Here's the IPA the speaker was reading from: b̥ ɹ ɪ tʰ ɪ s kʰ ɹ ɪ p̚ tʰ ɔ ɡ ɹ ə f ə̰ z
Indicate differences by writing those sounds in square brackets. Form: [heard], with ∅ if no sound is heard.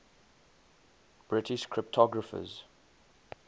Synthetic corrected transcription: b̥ ɹ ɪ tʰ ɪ [ʃ] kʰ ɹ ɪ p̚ tʰ ɔ ɡ ɹ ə f ə̰ z